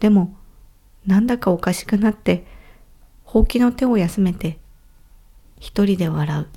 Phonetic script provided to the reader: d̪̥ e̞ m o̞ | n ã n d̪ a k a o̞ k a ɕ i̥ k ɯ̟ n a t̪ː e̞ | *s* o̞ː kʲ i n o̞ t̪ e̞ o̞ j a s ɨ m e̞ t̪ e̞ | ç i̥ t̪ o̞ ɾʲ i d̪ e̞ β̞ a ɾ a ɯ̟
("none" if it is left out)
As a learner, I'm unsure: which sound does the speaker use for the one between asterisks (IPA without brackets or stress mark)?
h